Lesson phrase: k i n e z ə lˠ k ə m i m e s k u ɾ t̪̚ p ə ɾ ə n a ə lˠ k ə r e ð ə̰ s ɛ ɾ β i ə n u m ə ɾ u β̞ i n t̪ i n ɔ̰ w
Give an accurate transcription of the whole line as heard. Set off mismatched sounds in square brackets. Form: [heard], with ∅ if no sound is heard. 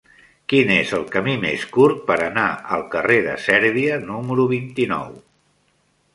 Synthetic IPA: k i n e z ə lˠ k ə m i m e s k u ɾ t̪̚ p ə ɾ ə n a ə lˠ k ə r e ð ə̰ s ɛ ɾ β i ə n u m ə ɾ u β̞ i n t̪ i n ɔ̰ w